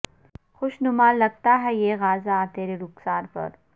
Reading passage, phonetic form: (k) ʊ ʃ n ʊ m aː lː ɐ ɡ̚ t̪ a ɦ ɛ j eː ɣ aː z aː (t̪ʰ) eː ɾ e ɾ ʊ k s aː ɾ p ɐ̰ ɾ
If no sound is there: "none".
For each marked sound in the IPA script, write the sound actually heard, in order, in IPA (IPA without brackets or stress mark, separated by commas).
x, t̪